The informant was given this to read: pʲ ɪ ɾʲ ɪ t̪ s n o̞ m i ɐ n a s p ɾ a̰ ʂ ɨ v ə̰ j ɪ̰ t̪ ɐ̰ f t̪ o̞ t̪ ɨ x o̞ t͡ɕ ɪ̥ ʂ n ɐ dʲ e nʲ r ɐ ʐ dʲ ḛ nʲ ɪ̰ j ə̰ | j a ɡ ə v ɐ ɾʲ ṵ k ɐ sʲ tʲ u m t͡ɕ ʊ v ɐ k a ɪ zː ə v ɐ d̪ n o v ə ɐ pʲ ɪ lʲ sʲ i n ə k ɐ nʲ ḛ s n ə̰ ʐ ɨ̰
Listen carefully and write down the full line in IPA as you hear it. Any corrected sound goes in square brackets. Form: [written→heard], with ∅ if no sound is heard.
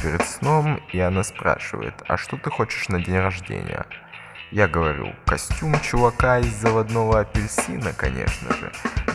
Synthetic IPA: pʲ ɪ ɾʲ ɪ t̪ s n o̞ m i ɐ n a s p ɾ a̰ ʂ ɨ v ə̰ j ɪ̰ t̪ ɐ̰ [f→ʂ] t̪ o̞ t̪ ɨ x o̞ t͡ɕ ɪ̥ ʂ n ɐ dʲ e nʲ r ɐ ʐ dʲ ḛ nʲ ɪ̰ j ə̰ | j a ɡ ə v ɐ ɾʲ ṵ k ɐ sʲ tʲ u m t͡ɕ ʊ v ɐ k a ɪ zː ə v ɐ d̪ n o v ə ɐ pʲ ɪ lʲ sʲ i n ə k ɐ nʲ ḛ [s→ʂ] n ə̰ ʐ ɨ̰